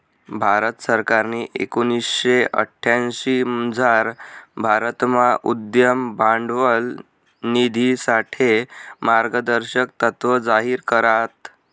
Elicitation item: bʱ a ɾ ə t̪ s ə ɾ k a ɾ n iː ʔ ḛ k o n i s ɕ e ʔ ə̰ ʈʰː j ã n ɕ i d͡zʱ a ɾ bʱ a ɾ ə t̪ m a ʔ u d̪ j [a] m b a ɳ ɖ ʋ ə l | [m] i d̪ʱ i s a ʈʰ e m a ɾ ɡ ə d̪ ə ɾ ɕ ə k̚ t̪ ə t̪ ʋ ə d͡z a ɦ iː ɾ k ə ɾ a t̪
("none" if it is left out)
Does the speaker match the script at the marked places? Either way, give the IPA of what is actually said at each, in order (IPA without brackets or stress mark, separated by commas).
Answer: ə, n